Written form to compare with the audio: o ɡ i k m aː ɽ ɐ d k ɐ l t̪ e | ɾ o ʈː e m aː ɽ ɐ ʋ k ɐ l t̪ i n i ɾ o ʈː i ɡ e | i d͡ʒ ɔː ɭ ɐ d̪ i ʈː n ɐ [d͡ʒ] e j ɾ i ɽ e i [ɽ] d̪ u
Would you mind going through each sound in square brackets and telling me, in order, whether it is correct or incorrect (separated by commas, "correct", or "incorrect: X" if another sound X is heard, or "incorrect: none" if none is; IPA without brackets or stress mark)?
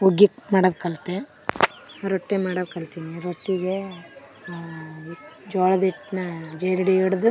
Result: correct, correct